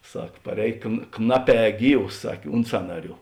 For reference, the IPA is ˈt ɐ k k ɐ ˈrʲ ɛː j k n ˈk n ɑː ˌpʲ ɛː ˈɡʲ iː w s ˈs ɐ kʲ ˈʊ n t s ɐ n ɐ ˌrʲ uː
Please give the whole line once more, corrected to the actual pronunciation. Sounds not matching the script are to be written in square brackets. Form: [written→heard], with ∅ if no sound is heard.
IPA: [ˈt→ˈs] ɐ k [k→p] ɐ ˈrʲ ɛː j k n ˈk n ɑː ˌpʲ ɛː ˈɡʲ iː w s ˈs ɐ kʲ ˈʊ n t s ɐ n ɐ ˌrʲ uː